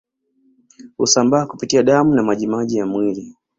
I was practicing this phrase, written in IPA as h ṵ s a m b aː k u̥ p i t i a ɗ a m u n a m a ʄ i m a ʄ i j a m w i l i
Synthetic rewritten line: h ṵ s a m b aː k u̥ p i t i a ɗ a m u n a m a ʄ i m a ʄ i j a m w i l i